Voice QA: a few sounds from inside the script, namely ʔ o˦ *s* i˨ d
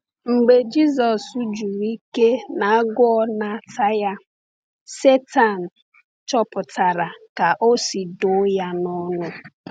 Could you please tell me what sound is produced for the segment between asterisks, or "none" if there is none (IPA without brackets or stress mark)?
s